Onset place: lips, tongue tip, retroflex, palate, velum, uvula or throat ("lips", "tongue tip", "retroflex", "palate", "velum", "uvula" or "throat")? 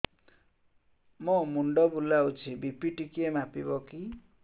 lips